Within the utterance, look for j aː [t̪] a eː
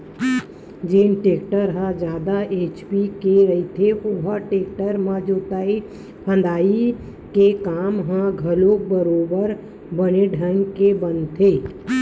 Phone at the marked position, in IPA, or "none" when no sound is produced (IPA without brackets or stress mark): d̪